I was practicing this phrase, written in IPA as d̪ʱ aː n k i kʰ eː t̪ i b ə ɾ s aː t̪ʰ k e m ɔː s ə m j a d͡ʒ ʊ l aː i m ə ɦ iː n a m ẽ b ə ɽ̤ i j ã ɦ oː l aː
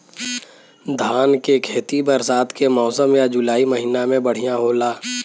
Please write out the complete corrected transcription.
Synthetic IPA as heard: d̪ʱ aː n k e kʰ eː t̪ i b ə ɾ s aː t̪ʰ k e m ɔː s ə m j a d͡ʒ ʊ l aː i m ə ɦ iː n a m ẽ b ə ɽ̤ i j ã ɦ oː l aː